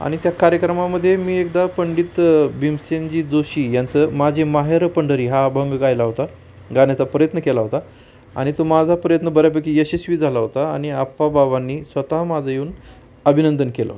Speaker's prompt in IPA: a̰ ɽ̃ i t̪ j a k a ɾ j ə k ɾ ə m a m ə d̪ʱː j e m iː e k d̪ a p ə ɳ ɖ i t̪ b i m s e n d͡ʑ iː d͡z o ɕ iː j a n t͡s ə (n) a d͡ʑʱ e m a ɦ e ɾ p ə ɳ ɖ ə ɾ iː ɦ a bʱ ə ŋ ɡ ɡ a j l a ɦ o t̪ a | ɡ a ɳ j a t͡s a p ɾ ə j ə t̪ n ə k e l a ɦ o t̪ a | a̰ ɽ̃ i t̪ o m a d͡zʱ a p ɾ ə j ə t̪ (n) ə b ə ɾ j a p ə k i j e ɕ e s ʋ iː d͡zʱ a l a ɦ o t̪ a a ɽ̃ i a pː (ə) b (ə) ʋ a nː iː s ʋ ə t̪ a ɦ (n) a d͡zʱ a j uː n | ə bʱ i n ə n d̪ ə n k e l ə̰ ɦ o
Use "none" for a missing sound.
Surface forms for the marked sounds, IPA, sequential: m, n, a, a, m

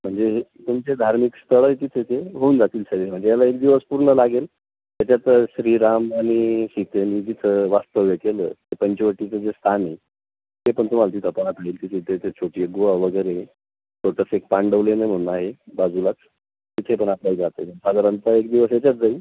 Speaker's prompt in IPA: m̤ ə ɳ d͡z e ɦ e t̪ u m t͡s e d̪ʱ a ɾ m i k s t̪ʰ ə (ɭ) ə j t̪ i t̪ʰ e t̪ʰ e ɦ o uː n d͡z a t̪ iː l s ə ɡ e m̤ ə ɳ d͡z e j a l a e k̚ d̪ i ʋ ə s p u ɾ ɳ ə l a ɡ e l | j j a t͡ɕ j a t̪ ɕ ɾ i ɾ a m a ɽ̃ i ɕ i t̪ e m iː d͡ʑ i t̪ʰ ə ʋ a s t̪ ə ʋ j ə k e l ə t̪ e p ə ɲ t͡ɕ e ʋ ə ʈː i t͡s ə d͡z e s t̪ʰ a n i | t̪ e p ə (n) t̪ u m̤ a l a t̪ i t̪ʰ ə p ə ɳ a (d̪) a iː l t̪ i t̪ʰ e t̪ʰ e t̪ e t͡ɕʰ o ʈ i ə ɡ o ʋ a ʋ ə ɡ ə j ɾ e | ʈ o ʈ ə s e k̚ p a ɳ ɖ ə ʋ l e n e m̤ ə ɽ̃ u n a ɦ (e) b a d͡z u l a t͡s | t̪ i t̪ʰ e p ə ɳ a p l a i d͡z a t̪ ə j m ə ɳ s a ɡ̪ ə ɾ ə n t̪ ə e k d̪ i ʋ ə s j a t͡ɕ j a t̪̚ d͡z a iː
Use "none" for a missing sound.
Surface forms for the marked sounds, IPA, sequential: ɭ, ɳ, t̪, e

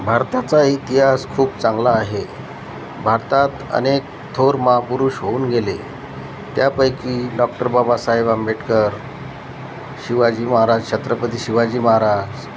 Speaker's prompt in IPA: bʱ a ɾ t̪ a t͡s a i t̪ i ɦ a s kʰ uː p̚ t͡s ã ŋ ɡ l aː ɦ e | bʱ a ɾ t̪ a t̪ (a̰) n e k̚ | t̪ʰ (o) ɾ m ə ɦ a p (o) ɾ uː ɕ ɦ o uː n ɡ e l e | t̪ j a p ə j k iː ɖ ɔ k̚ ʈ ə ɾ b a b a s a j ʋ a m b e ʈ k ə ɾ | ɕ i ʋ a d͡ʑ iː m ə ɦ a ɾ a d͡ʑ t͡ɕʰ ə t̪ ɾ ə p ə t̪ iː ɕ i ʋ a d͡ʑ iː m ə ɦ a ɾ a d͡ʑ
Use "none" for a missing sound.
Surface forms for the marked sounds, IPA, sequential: ə̰, o, u

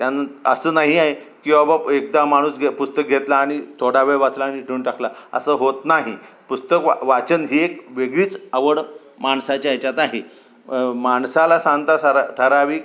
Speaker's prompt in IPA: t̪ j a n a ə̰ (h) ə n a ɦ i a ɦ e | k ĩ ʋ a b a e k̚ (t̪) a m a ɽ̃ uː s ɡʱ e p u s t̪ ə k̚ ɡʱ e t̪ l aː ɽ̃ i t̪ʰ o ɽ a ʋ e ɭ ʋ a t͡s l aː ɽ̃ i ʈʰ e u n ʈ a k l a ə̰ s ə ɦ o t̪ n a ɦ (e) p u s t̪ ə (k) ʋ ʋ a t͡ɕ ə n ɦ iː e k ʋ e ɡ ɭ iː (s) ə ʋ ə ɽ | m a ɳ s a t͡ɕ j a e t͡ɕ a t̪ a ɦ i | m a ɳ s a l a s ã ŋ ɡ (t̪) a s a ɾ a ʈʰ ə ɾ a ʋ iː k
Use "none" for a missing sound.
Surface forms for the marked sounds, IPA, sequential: s, d̪, i, k, t͡s, t̪

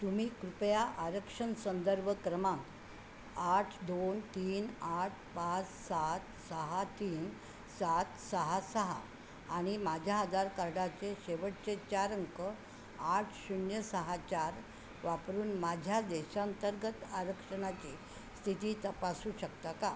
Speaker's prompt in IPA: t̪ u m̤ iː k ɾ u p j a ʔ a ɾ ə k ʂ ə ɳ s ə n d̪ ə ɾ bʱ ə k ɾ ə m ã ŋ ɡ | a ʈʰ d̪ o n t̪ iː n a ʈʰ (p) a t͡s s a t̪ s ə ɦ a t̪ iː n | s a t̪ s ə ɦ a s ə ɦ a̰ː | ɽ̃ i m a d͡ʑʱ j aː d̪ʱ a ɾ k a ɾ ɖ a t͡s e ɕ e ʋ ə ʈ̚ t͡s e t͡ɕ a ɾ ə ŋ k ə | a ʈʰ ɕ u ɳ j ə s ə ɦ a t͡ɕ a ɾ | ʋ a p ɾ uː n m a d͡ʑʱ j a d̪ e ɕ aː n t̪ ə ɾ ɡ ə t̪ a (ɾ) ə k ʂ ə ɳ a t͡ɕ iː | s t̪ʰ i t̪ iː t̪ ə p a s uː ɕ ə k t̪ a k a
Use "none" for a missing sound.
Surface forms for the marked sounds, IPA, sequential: p, ɾ

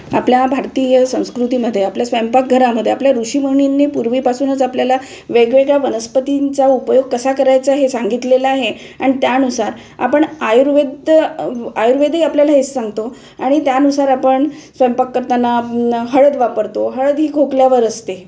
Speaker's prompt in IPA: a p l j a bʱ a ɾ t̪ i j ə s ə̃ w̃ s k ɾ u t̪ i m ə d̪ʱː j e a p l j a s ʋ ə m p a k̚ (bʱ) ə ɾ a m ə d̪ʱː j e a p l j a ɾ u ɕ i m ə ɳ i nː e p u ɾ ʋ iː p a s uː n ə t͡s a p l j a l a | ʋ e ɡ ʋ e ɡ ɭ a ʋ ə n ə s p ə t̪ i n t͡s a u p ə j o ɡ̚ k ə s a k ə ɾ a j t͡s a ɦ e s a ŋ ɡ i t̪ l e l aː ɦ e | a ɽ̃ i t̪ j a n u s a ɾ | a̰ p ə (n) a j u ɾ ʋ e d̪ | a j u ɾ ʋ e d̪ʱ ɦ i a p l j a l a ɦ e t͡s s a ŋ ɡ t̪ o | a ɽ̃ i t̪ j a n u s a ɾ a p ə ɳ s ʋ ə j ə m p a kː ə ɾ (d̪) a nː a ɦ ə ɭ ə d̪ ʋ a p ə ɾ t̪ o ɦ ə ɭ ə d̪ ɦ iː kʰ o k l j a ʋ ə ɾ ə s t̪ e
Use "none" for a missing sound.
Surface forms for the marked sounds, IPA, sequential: ɡʱ, ɳ, t̪

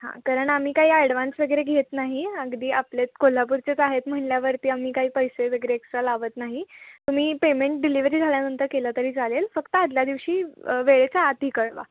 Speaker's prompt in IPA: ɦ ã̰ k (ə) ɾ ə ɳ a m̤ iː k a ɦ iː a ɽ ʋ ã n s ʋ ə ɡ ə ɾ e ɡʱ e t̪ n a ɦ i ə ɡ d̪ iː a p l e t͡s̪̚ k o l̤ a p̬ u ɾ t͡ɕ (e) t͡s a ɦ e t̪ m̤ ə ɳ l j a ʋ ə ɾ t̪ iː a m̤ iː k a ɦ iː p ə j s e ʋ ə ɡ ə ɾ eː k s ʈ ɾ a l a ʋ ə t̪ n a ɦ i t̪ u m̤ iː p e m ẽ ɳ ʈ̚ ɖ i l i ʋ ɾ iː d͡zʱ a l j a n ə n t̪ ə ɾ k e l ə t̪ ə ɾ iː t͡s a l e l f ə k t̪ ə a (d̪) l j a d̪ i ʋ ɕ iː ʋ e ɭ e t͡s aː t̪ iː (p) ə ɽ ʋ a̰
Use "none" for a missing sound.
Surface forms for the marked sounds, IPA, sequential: a, e, d̪, k

